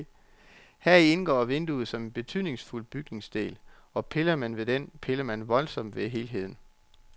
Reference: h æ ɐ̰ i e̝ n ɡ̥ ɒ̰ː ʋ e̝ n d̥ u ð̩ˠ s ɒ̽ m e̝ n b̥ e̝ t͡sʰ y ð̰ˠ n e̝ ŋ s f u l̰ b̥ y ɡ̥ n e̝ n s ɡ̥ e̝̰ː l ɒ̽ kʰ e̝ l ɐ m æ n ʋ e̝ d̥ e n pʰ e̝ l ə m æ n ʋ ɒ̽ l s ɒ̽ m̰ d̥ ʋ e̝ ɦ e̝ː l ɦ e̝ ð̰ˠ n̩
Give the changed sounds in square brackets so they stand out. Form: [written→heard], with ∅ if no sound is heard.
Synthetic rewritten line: h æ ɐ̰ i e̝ n ɡ̥ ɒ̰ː ʋ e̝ n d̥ u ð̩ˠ s ɒ̽ m e̝ n b̥ e̝ t͡sʰ y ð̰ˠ n e̝ ŋ s f u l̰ b̥ y ɡ̥ n e̝ [n→ŋ] s [ɡ̥→d̥] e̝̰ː l ɒ̽ [kʰ→pʰ] e̝ l ɐ m æ n ʋ e̝ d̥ e n pʰ e̝ l [ə→ɐ] m æ n ʋ ɒ̽ l s ɒ̽ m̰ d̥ ʋ e̝ ɦ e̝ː l ɦ e̝ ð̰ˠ n̩